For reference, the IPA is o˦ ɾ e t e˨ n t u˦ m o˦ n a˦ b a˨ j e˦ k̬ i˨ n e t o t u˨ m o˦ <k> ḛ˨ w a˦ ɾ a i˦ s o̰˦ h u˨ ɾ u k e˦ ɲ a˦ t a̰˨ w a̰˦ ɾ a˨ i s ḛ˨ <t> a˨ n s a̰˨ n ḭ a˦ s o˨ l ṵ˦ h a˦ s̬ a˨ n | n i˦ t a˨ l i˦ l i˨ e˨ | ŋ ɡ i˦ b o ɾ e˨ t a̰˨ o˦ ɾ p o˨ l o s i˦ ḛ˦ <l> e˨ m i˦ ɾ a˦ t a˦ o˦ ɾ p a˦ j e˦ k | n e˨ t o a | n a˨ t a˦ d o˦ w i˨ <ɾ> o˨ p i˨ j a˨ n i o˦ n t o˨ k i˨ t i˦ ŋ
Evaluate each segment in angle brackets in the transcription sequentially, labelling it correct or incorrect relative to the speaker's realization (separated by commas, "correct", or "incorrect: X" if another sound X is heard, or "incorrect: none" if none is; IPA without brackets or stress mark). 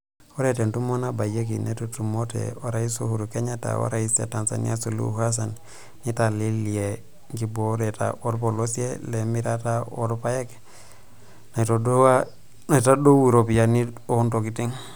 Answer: incorrect: t, correct, correct, correct